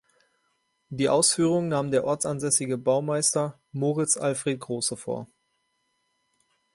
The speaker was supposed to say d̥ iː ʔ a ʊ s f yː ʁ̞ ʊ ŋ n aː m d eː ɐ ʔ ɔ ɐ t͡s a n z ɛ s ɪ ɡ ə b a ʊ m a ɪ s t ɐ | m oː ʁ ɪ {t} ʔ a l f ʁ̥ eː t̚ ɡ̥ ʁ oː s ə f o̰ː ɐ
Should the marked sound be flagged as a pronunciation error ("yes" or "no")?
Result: yes